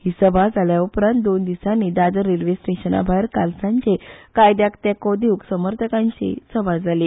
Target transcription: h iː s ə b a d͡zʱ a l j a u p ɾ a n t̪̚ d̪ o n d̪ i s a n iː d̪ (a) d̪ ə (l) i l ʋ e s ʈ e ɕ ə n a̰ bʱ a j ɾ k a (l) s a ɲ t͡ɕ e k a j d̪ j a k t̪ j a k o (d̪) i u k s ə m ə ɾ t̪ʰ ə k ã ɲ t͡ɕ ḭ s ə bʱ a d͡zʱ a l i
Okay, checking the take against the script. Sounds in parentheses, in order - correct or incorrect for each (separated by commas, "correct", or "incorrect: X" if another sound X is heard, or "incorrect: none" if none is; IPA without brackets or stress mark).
correct, incorrect: ɾ, correct, correct